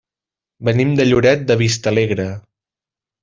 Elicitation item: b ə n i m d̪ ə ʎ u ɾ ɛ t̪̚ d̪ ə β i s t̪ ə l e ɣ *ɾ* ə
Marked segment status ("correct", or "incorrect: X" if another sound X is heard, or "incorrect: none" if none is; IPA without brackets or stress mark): correct